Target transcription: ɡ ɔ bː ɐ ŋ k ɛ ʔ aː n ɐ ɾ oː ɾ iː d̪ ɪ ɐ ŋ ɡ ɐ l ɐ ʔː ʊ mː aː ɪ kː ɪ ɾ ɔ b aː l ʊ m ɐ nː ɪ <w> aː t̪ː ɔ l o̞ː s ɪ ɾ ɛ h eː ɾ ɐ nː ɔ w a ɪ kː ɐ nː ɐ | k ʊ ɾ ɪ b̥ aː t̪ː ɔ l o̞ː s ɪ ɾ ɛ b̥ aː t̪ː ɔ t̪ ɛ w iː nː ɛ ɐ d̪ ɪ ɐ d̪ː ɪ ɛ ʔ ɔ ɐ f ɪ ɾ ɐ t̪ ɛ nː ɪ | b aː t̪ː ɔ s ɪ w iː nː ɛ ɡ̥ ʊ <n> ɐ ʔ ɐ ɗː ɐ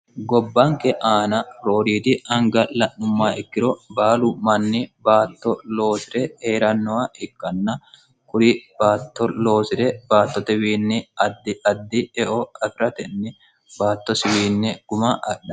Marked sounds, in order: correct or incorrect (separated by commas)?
incorrect, incorrect